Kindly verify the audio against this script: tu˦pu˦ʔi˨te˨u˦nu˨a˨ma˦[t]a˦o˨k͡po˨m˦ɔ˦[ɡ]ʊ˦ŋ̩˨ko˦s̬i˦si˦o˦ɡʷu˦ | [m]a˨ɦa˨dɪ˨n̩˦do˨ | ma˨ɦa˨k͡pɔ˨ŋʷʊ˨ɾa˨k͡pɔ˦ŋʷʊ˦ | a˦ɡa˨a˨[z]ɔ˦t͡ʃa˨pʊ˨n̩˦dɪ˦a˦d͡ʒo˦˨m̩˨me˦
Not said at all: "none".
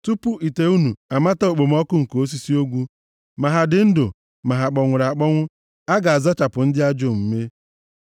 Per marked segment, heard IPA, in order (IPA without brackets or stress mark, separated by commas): t, k, m, z